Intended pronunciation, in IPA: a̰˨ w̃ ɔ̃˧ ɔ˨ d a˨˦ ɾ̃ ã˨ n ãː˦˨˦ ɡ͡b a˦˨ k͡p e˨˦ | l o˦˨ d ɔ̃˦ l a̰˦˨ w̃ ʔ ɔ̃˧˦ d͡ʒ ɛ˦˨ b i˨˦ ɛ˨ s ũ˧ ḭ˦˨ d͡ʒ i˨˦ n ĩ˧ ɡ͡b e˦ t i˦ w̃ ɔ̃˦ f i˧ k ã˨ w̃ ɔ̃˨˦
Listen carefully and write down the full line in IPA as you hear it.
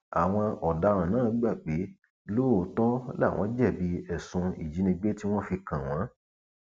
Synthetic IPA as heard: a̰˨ w̃ ɔ̃˧ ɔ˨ d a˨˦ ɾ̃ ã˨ n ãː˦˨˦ ɡ͡b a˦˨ k͡p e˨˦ | l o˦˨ t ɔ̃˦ l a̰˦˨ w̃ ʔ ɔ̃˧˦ d͡ʒ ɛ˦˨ b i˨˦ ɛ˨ s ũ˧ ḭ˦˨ d͡ʒ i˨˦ n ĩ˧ ɡ͡b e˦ t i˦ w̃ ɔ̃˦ f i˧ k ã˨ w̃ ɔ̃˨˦